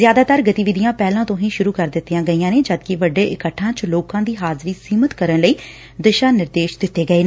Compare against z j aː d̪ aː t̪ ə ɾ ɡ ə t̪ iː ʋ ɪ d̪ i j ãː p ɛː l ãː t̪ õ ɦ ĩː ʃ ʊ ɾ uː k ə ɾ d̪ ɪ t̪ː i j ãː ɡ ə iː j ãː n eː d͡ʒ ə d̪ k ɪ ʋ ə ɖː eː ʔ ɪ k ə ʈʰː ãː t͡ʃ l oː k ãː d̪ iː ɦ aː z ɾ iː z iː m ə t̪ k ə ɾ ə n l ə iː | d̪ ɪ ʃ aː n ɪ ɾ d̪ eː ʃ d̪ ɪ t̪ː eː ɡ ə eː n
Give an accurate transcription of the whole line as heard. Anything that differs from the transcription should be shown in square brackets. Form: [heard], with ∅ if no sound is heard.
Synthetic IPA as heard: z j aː d̪ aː t̪ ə ɾ ɡ ə t̪ iː ʋ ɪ d̪ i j ãː p ɛː l ãː t̪ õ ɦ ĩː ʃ ʊ ɾ uː k ə ɾ d̪ ɪ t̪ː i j ãː ɡ ə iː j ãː n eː d͡ʒ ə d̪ k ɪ ʋ ə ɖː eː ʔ ɪ k ə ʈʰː ãː t͡ʃ l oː k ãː d̪ iː ɦ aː z ɾ iː [s] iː m ə t̪ k ə ɾ ə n l ə iː | d̪ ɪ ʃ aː n ɪ ɾ d̪ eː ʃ d̪ ɪ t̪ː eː ɡ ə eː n

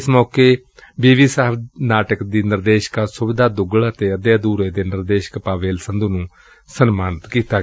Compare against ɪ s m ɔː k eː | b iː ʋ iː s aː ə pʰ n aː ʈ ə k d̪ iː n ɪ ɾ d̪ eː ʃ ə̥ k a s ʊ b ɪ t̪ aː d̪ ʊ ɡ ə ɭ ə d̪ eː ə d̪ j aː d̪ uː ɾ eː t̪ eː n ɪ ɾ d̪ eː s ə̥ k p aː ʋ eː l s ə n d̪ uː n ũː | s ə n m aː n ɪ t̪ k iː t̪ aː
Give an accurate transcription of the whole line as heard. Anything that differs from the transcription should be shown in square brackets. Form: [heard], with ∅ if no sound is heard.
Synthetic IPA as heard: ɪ s m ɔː k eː | b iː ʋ iː s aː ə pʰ n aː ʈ ə k d̪ iː n ɪ ɾ d̪ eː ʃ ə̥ k a s ʊ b ɪ [d̪] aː d̪ ʊ ɡ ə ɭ ə [t̪] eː ə d̪ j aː d̪ uː ɾ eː [d̪] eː n ɪ ɾ d̪ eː [ʃ] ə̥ k p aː ʋ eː l s ə n d̪ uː n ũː | s ə n m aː n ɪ t̪ k iː t̪ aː

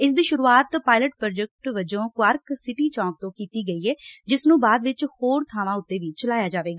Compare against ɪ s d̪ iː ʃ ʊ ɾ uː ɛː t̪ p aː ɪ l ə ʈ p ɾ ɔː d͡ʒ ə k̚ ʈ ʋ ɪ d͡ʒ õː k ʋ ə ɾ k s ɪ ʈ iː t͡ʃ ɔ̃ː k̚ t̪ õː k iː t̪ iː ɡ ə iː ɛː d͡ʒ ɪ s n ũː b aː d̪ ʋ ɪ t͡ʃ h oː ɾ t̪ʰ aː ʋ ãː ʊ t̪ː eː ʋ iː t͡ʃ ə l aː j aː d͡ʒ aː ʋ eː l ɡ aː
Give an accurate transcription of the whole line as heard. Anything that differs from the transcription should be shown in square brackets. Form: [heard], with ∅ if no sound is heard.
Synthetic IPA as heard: ɪ s d̪ iː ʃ ʊ ɾ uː [aː] t̪ p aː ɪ l ə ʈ p ɾ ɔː d͡ʒ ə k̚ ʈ ʋ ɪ d͡ʒ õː k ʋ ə ɾ k s ɪ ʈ iː t͡ʃ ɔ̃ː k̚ t̪ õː k iː t̪ iː ɡ ə iː ɛː d͡ʒ ɪ s n ũː b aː d̪ ʋ ɪ t͡ʃ h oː ɾ t̪ʰ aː ʋ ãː ʊ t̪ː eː ʋ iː t͡ʃ ə l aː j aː d͡ʒ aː ʋ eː [∅] ɡ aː

